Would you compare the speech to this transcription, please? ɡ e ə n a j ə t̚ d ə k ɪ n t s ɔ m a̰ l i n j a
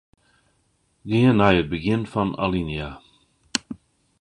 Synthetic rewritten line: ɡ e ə n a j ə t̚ b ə ɡ ɪ n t f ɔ n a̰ l i n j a